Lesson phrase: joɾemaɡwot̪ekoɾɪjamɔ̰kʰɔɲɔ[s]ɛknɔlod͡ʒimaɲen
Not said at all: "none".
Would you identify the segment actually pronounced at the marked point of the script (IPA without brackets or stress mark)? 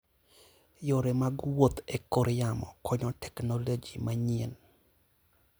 t